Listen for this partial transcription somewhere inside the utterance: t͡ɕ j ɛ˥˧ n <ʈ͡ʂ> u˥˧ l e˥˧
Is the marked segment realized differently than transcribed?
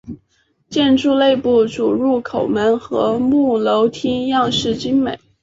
no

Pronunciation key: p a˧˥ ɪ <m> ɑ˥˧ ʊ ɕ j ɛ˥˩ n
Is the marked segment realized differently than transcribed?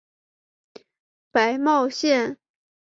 no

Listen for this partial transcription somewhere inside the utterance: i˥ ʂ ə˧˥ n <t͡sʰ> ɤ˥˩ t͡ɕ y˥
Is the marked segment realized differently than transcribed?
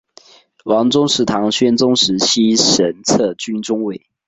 no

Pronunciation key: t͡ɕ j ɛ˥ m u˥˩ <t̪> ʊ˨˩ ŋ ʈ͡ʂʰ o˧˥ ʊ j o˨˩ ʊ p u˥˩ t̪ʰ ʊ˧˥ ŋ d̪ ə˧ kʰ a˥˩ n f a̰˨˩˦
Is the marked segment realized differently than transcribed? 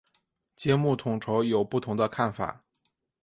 yes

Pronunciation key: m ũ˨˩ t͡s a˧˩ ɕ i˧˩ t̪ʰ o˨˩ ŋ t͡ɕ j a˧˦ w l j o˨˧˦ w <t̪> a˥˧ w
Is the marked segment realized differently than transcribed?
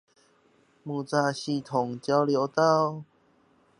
no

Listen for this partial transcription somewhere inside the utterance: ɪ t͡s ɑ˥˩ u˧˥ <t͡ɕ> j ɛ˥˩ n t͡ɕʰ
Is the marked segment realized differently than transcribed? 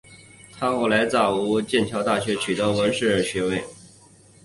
no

